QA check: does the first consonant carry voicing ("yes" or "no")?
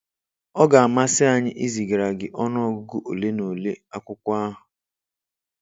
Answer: yes